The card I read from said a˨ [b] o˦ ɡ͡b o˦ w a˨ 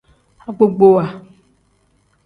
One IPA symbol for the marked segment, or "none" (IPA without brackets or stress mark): ɡ͡b